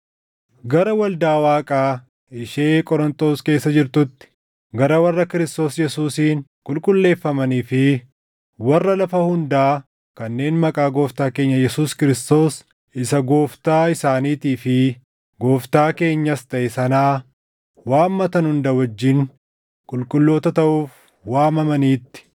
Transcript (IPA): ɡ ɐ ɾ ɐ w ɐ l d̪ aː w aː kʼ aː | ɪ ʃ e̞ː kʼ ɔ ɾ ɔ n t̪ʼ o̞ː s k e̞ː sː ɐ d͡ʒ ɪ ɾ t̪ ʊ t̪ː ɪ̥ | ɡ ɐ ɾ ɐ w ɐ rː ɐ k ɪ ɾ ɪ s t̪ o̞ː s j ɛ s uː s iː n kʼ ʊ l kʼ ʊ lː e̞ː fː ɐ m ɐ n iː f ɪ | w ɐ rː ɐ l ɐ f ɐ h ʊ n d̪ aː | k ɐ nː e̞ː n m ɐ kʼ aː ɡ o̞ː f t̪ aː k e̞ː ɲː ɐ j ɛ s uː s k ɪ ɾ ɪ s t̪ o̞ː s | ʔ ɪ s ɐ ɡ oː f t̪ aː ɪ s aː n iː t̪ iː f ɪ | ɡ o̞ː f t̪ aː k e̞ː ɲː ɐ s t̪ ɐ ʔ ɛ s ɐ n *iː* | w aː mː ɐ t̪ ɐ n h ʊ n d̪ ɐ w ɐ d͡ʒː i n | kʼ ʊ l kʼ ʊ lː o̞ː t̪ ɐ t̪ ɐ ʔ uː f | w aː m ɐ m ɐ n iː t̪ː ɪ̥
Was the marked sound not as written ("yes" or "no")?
yes